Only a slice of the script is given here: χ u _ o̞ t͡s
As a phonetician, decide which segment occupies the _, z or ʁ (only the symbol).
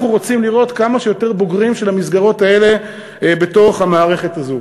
ʁ